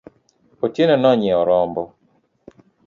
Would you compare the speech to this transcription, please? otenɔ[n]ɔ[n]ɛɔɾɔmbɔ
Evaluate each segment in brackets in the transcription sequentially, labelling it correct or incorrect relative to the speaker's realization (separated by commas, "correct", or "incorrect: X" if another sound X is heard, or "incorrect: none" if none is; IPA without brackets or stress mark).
correct, incorrect: ɲ